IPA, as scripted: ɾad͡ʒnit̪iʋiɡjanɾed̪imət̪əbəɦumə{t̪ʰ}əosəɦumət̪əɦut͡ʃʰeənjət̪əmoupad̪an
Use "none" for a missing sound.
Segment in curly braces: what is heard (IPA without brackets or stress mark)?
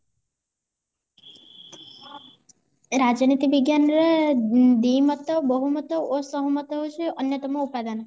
t̪